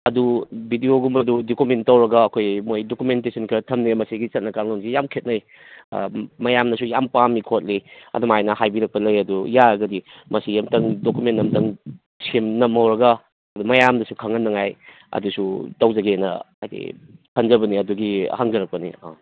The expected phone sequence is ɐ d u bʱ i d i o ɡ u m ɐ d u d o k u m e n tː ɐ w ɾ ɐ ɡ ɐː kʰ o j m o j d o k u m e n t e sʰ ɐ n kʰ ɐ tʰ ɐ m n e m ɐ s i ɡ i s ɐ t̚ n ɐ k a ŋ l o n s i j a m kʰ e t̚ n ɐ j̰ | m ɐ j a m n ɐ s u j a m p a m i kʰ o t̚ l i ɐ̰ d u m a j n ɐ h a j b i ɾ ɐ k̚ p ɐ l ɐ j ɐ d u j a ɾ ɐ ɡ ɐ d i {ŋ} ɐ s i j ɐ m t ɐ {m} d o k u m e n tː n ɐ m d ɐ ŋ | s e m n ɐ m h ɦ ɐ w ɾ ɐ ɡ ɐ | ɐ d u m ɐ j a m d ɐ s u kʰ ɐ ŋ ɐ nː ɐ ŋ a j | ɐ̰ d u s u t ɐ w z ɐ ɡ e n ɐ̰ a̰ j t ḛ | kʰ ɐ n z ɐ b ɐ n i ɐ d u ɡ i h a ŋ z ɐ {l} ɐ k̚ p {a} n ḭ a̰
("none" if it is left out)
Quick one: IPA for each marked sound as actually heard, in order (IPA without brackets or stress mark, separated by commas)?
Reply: m, ŋ, ɾ, ɐ